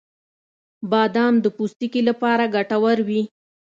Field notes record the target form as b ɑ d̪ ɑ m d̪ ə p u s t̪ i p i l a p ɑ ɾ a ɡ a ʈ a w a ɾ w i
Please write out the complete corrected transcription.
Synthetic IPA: b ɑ d̪ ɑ m d̪ ə p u s t̪ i k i l a p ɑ ɾ a ɡ a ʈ a w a ɾ w i

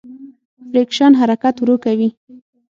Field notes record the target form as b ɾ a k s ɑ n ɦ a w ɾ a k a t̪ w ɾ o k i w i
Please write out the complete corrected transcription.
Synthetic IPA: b ɾ e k ʃ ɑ n ɦ a ɾ a k a t̪ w ɾ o k a w i

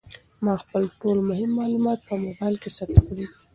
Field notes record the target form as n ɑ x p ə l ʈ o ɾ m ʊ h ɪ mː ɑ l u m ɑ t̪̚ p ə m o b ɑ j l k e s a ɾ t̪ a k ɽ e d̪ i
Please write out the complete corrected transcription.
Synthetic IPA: m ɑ x p ə l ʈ o l m ʊ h ɪ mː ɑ l u m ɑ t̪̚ p ə m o b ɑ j l k e s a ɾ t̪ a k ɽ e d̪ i

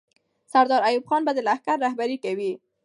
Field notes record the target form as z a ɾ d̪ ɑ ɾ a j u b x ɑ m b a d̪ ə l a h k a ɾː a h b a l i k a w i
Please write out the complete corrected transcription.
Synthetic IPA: s a ɾ d̪ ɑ ɾ a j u b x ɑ n b a d̪ ə l a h k a ɾː a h b a ɾ i k a w i

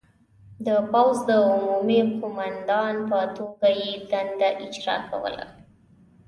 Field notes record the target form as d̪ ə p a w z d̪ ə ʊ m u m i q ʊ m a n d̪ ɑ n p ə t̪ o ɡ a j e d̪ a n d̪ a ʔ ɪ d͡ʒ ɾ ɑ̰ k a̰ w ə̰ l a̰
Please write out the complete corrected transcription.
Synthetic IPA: d̪ ə p a w z d̪ ə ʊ m u m i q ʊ m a n d̪ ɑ n p ə t̪ o ɡ a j e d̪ a n d̪ a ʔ ɪ d͡ʒ ɾ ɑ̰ k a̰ w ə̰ l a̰

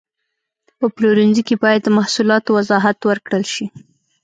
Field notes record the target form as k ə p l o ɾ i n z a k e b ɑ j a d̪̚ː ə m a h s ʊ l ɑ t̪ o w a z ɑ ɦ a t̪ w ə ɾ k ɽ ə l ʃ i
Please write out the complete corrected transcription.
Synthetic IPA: p ə p l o ɾ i n z i k e b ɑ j a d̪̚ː ə m a h s u l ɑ t̪ o w a z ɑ ɦ a t̪ w ə ɾ k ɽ ə l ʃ i

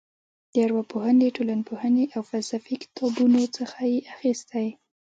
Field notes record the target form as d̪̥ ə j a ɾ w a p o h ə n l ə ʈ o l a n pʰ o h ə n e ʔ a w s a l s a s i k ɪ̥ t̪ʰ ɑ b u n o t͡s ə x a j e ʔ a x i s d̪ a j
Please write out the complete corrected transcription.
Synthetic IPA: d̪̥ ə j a ɾ w a p o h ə n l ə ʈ o l a n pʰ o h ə n e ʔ a w f a l s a f i k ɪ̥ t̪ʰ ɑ b u n o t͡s ə x a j e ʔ a x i s t̪ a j

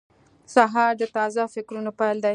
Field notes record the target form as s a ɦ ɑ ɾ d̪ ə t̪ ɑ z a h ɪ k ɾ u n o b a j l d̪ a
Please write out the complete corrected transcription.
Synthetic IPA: s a ɦ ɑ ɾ d̪ ə t̪ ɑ z a f ɪ k ɾ u n o p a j l d̪ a

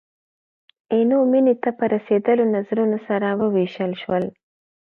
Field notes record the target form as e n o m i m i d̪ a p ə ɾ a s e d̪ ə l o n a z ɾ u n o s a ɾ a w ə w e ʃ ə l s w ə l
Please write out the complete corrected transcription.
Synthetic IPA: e n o m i n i t̪ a p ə ɾ a s e d̪ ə l o n a z ɾ u n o s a ɾ a w ə w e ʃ ə l ʃ w ə l

